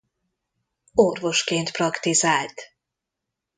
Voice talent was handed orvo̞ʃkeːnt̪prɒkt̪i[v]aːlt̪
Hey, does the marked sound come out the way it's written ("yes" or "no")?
no